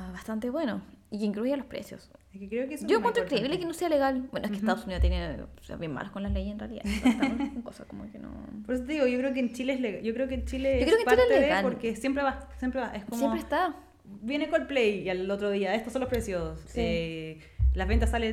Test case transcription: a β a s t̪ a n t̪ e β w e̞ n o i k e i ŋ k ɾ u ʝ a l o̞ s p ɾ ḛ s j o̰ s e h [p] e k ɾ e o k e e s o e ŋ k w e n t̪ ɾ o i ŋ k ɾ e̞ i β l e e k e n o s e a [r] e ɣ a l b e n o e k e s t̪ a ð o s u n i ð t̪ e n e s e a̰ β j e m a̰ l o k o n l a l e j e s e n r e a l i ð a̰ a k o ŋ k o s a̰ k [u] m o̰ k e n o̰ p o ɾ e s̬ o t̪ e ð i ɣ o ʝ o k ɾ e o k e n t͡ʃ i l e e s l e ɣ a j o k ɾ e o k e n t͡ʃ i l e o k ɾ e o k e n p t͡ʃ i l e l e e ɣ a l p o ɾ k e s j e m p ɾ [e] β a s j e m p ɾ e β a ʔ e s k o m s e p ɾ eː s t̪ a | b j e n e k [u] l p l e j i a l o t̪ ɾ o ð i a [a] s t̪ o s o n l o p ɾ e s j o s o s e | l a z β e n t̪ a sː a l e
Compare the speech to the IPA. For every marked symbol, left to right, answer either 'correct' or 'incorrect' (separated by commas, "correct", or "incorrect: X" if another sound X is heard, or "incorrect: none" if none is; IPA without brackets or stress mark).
incorrect: k, incorrect: l, incorrect: o, correct, incorrect: o, incorrect: e